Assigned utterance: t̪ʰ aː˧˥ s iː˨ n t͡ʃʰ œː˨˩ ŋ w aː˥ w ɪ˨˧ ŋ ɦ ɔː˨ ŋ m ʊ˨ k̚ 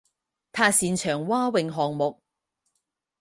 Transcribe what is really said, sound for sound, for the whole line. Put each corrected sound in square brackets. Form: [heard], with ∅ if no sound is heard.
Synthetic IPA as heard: t̪ʰ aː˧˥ s iː˨ n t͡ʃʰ œː˨˩ ŋ w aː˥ w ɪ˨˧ ŋ ɦ ɔː˨ ŋ m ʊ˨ k̚